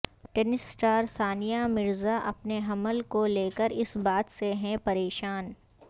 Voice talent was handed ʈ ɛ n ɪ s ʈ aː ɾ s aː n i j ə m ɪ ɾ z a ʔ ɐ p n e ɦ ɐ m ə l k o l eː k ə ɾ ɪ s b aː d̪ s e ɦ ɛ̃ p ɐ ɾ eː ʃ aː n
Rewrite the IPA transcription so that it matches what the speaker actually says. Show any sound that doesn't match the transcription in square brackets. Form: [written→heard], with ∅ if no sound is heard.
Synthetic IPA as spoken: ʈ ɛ n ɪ s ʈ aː ɾ s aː n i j [ə→a] m ɪ ɾ z a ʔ ɐ p n e ɦ ɐ m ə l k o l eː k ə ɾ ɪ s b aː [d̪→t̪] s e ɦ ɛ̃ p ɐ ɾ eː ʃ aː n